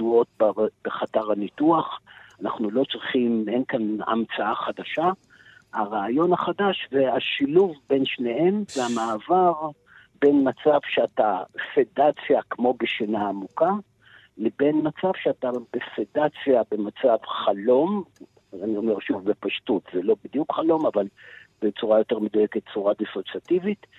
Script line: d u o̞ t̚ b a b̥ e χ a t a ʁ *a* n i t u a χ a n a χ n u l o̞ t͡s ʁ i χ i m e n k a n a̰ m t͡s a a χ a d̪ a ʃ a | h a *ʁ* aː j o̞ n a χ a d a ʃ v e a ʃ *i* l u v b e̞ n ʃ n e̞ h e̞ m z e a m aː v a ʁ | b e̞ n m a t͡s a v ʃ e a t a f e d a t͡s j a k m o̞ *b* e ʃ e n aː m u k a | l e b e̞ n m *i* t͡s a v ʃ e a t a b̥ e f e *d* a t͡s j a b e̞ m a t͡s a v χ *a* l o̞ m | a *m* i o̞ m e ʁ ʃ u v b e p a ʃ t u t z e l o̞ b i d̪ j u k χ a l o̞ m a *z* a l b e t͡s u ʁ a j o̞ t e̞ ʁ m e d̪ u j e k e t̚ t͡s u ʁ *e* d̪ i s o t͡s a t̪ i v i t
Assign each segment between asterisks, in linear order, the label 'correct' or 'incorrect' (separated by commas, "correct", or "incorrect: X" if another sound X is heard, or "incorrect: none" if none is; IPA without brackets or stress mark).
correct, correct, correct, correct, incorrect: a, correct, correct, incorrect: n, incorrect: v, incorrect: a